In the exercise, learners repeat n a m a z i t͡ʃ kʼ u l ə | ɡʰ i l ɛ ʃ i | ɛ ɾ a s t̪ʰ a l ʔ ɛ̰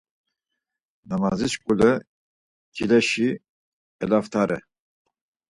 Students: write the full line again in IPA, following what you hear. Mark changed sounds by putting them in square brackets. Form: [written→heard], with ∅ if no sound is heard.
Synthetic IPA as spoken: n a m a z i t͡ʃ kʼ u l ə | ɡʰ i l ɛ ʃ i | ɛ [ɾ→l] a [s→f] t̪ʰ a [l→ɾ] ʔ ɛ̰